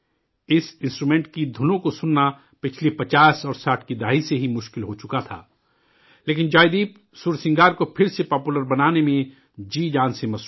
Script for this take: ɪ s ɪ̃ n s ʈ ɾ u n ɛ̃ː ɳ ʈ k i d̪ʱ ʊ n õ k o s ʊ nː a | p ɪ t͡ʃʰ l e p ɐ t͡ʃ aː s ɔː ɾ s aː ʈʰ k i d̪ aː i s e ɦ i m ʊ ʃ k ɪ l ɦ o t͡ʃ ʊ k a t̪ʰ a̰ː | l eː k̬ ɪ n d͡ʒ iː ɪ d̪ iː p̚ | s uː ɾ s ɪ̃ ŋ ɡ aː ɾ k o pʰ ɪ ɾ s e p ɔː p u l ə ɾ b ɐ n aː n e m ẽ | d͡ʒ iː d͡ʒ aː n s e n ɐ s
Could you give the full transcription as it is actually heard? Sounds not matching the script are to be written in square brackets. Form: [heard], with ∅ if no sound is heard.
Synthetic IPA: ɪ s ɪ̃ n s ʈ ɾ u [m] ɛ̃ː ɳ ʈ k i d̪ʱ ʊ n õ k o s ʊ nː a | p ɪ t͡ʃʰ l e p ɐ t͡ʃ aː s ɔː ɾ s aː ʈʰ k i d̪ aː i s e ɦ i m ʊ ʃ k ɪ l ɦ o t͡ʃ ʊ k a t̪ʰ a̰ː | l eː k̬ ɪ n d͡ʒ [aː] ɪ d̪ iː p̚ | s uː ɾ s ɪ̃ ŋ ɡ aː ɾ k o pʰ ɪ ɾ s e p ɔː p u l ə ɾ b ɐ n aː n e m ẽ | d͡ʒ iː d͡ʒ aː n s e [m] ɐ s

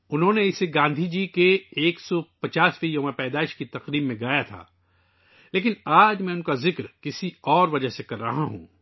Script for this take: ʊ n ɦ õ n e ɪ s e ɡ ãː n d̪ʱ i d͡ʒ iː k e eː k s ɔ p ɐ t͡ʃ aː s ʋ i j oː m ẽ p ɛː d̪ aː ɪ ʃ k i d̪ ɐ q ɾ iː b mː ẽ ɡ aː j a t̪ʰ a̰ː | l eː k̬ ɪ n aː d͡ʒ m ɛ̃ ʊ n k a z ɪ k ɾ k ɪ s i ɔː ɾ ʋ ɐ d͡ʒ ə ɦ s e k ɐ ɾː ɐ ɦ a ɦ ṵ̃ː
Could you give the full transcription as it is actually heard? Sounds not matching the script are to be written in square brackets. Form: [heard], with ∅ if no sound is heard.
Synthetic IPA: ʊ n ɦ õ n e ɪ s e ɡ ãː n d̪ʱ i d͡ʒ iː k e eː k s ɔ p ɐ t͡ʃ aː s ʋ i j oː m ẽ p ɛː d̪ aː ɪ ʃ k i [t̪] ɐ q ɾ iː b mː ẽ ɡ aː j a t̪ʰ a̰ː | l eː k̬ ɪ n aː d͡ʒ m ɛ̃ ʊ n k a z ɪ k ɾ k ɪ s i ɔː ɾ ʋ ɐ d͡ʒ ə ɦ s e k ɐ ɾː ɐ ɦ a ɦ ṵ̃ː

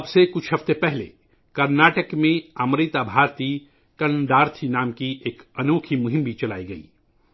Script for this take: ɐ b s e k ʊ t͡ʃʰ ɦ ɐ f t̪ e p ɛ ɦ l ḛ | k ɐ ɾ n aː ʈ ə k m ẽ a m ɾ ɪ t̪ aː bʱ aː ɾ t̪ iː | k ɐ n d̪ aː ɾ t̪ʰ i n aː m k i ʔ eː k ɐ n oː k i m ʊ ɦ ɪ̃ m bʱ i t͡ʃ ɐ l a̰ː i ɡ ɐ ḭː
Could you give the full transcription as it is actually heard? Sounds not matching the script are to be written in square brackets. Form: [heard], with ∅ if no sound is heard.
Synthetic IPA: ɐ b s e k ʊ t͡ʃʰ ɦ ɐ f t̪ e p ɛ ɦ l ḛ | k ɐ ɾ n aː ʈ ə k m ẽ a m ɾ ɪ t̪ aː bʱ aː ɾ t̪ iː | k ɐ n d̪ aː ɾ t̪ʰ i n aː m k i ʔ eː k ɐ n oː [kʰ] i m ʊ ɦ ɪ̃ m bʱ i t͡ʃ ɐ l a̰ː i ɡ ɐ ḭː

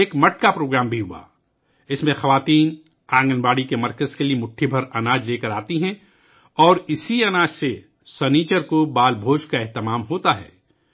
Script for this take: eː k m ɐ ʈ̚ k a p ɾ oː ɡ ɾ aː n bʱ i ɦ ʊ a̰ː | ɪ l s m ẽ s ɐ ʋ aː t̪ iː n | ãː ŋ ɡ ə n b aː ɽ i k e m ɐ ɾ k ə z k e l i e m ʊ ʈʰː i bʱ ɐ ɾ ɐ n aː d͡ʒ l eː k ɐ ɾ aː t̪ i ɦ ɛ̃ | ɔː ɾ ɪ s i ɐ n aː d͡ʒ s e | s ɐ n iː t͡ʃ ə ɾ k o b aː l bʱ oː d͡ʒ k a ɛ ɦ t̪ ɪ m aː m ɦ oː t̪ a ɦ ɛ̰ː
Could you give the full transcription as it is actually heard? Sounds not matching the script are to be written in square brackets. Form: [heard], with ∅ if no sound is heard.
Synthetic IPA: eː k m ɐ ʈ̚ k a p ɾ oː ɡ ɾ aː [m] bʱ i ɦ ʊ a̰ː | ɪ [∅] s m ẽ [x] ɐ ʋ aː t̪ iː n | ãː ŋ ɡ ə n b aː ɽ i k e m ɐ ɾ k ə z k e l i e m ʊ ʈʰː i bʱ ɐ ɾ ɐ n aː d͡ʒ l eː k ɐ ɾ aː t̪ i ɦ ɛ̃ | ɔː ɾ ɪ s i ɐ n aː d͡ʒ s e | s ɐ n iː t͡ʃ ə ɾ k o b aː l bʱ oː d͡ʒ k a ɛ ɦ t̪ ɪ m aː m ɦ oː t̪ a ɦ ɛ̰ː

